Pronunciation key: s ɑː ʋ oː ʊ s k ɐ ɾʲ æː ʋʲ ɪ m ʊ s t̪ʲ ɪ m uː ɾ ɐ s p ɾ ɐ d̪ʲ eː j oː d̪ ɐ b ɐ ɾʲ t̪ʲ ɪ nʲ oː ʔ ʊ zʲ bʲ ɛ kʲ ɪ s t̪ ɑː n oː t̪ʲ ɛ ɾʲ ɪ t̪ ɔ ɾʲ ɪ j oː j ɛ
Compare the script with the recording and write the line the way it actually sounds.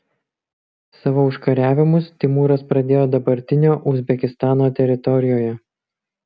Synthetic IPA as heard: s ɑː ʋ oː ʊ ʃ k ɐ ɾʲ æː ʋʲ ɪ m ʊ s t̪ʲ ɪ m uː ɾ ɐ s p ɾ ɐ d̪ʲ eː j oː d̪ ɐ b ɐ ɾʲ t̪ʲ ɪ nʲ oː ʔ ʊ zʲ bʲ ɛ kʲ ɪ s t̪ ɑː n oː t̪ʲ ɛ ɾʲ ɪ t̪ ɔ ɾʲ ɪ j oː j ɛ